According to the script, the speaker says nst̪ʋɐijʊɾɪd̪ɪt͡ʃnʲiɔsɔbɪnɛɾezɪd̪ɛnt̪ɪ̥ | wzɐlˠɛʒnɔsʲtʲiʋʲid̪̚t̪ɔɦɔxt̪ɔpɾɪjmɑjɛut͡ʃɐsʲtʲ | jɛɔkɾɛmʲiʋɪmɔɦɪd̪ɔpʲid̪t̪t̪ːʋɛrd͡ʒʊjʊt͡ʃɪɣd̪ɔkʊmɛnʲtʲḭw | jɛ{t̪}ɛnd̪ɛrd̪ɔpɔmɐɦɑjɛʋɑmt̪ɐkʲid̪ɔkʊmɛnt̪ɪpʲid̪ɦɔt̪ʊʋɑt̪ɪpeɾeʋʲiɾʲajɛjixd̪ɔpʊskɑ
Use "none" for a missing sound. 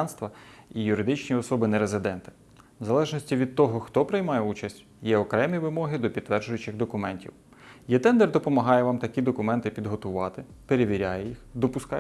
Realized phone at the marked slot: t̪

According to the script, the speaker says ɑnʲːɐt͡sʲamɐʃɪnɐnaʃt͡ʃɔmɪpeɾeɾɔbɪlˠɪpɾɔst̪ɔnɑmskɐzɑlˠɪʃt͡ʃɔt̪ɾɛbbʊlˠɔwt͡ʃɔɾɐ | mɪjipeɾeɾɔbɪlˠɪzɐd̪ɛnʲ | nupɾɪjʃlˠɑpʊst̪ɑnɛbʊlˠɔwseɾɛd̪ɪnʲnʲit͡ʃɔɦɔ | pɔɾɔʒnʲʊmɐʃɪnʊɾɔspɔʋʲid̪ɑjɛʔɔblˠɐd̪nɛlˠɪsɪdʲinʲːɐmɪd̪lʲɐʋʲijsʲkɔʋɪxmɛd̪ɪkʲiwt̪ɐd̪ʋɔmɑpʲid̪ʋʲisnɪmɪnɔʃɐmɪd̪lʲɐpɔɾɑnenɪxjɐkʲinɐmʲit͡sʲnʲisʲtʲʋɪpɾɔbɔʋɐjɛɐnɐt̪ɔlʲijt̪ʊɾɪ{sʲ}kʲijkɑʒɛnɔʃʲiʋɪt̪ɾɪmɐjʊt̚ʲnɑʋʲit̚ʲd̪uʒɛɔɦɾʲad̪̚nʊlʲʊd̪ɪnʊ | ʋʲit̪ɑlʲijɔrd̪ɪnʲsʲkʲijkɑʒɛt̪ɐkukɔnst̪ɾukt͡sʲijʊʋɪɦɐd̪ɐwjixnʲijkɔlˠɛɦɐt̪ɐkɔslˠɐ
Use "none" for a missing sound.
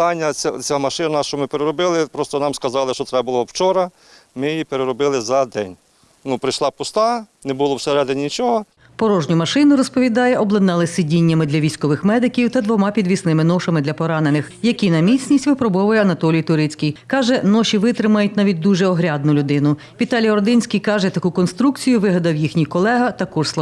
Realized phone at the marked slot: t͡sʲ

